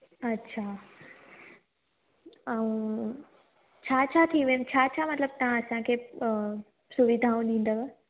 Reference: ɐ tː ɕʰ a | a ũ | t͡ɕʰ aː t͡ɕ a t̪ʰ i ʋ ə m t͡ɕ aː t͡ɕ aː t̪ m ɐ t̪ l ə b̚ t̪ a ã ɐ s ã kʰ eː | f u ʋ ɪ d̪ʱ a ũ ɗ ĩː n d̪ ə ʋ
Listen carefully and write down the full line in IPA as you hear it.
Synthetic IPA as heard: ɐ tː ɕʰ a | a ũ | t͡ɕʰ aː t͡ɕʰ a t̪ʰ i ʋ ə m t͡ɕʰ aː t͡ɕʰ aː m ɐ t̪ l ə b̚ t̪ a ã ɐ s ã kʰ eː | s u ʋ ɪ d̪ʱ a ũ ɗ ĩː n d̪ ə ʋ